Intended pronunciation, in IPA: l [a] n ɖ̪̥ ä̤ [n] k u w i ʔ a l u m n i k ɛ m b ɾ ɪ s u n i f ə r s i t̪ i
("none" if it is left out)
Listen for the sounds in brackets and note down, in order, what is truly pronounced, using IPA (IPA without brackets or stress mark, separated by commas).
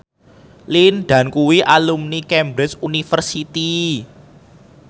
i, n